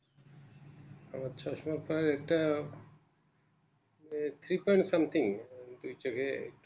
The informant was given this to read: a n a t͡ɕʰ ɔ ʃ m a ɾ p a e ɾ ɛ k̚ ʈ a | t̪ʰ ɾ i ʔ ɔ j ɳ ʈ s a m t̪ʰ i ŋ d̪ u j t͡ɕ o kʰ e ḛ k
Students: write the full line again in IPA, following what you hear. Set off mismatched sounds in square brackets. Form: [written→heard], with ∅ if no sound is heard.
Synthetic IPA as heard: a [n→m] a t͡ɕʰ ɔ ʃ m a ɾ p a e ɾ ɛ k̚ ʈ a | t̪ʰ ɾ i [ʔ→p] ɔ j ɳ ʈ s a m t̪ʰ i ŋ d̪ u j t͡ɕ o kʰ e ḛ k